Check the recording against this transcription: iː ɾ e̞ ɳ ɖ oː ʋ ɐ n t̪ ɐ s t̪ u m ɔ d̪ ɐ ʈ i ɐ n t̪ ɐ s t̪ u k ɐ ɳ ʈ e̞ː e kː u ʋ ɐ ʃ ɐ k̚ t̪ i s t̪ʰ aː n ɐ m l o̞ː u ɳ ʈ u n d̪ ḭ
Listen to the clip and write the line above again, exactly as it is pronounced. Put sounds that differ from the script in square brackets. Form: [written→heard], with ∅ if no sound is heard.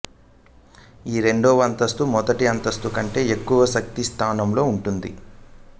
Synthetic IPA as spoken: iː ɾ e̞ ɳ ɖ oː ʋ ɐ n t̪ ɐ s t̪ u m ɔ d̪ ɐ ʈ i ɐ n t̪ ɐ s t̪ u k ɐ ɳ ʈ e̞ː e kː u ʋ ɐ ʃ ɐ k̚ t̪ i s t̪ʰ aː n ɐ m l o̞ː u ɳ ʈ u n d̪ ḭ